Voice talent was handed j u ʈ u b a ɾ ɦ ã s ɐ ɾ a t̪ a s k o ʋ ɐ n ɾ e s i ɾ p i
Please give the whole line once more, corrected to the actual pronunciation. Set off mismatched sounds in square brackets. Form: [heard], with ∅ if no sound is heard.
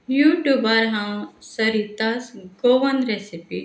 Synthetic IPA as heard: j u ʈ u b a ɾ ɦ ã s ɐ ɾ [i] t̪ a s [ɡ] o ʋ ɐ n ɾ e s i [∅] p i